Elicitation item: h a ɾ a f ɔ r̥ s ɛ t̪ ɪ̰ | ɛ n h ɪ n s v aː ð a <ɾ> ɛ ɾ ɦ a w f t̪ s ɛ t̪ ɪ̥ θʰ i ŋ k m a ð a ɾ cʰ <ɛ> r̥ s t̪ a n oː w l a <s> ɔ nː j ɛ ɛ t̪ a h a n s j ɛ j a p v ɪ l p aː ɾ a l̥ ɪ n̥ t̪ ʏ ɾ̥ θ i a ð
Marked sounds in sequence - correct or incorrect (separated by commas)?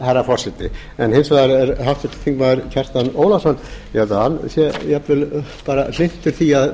correct, correct, correct